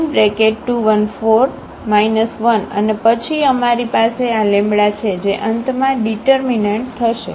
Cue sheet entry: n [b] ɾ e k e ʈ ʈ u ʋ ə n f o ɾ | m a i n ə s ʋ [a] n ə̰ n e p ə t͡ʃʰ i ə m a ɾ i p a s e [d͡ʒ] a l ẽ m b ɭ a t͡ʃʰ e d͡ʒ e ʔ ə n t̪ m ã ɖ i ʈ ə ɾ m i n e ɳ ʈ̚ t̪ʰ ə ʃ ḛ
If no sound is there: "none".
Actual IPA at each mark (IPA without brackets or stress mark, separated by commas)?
b, ə, none